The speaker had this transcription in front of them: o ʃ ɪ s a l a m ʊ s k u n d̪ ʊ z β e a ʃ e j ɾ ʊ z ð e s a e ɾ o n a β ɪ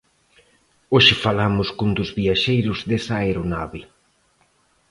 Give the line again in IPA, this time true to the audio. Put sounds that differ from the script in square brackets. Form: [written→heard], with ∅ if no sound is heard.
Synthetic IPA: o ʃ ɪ [s→f] a l a m ʊ s k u n d̪ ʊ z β [e→i] a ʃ e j ɾ ʊ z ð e s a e ɾ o n a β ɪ